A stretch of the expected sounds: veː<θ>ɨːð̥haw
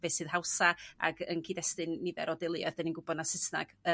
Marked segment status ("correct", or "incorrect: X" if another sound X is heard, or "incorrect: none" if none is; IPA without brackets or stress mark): incorrect: s